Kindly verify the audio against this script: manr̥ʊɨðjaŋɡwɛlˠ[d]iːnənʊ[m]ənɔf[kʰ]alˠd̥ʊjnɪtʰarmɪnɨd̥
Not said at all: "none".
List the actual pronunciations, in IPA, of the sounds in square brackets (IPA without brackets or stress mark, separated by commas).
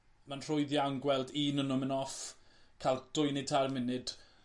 d, m, kʰ